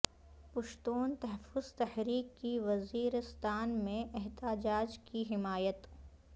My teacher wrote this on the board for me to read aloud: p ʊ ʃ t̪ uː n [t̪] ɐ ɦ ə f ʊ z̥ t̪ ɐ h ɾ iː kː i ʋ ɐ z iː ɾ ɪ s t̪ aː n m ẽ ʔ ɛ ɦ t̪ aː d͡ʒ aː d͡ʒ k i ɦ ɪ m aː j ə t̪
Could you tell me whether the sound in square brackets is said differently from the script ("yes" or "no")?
no